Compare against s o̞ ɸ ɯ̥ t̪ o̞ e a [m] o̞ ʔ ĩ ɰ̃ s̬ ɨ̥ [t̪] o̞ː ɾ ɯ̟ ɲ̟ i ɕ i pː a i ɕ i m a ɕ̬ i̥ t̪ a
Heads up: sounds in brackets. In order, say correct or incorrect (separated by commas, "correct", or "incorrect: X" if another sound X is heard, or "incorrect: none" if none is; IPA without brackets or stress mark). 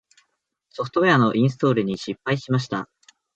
incorrect: n, correct